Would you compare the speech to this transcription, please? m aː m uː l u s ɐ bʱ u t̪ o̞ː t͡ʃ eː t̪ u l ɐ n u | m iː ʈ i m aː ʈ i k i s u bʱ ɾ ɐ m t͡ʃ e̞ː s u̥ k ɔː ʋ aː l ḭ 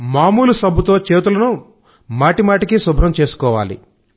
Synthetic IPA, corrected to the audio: m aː m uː l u s ɐ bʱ u t̪ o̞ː t͡ʃ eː t̪ u l ɐ n u | m aː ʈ i m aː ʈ i k i s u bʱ ɾ ɐ m t͡ʃ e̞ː s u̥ k ɔː ʋ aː l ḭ